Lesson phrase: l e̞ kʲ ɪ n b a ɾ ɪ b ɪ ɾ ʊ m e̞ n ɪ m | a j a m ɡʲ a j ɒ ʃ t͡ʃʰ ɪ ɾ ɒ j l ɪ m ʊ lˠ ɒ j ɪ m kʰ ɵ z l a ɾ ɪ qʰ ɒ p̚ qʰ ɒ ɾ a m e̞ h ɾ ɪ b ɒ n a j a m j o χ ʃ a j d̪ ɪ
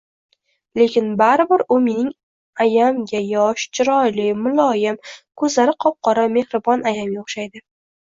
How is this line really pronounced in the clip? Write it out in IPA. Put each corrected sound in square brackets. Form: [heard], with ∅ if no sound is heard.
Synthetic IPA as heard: l e̞ kʲ ɪ n b a ɾ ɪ b ɪ ɾ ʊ m e̞ n ɪ [ŋ] | a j a m ɡʲ a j ɒ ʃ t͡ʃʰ ɪ ɾ ɒ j l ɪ m ʊ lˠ ɒ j ɪ m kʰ ɵ z l a ɾ ɪ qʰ ɒ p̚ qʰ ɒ ɾ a m e̞ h ɾ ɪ b ɒ n a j a m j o χ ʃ a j d̪ ɪ